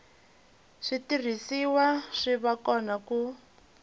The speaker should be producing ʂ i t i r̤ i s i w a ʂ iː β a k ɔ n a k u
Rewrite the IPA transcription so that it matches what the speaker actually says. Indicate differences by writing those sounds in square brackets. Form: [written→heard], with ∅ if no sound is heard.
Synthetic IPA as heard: ʂ i t i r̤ i s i w a ʂ [iː→i] β a k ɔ n a k u